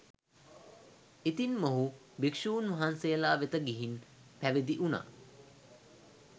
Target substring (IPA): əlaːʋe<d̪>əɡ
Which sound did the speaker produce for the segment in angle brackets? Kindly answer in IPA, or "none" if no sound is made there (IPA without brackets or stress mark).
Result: t̪